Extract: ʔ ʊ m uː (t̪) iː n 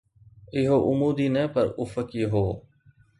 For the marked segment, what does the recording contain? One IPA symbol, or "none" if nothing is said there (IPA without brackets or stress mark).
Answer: d̪